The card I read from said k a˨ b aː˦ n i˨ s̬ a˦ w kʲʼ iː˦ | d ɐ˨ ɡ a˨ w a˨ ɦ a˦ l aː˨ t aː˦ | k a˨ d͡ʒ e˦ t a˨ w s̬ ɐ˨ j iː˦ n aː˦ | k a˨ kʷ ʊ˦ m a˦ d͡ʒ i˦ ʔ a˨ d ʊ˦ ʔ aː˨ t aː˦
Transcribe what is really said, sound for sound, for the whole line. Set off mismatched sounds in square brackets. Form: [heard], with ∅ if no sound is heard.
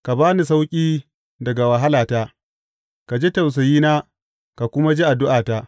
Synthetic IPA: k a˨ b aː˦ n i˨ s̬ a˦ w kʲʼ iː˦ | d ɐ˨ ɡ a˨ w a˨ ɦ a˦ l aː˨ t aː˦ | k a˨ d͡ʒ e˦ t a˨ w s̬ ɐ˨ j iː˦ n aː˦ | k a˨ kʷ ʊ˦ m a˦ d͡ʒ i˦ ʔ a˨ d ʊ˦ ʔ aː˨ t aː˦